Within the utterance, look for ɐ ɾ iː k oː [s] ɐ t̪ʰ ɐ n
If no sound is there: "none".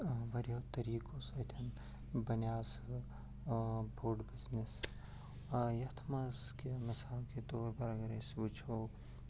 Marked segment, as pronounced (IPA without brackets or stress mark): s